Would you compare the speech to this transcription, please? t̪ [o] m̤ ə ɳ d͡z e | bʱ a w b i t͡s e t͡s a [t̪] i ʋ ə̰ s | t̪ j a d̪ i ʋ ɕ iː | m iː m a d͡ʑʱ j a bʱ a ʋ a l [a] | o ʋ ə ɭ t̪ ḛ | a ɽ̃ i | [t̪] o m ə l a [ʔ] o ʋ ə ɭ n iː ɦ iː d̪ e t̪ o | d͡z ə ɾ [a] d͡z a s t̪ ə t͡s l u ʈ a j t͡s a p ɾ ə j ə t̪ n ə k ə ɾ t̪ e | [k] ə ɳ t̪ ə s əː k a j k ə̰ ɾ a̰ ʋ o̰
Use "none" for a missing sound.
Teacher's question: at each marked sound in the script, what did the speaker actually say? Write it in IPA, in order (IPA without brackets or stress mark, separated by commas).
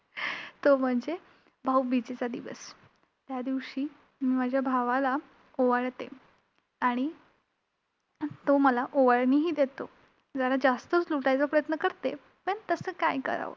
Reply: o, d̪, a, t̪, ʔ, a, p